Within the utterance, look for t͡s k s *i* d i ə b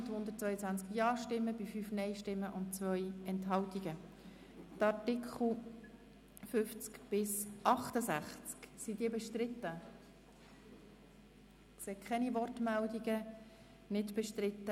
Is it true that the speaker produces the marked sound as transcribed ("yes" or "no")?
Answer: yes